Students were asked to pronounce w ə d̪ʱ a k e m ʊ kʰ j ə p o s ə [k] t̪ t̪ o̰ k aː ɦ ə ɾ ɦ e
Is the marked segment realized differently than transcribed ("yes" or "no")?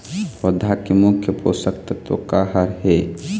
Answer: no